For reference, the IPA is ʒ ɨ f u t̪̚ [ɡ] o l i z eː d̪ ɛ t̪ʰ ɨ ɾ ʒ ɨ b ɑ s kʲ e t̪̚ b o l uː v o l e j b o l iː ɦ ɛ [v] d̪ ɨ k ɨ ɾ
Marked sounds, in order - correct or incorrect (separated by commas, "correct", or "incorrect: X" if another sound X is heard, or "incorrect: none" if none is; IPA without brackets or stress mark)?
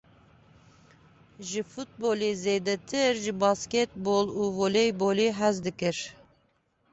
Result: incorrect: b, incorrect: z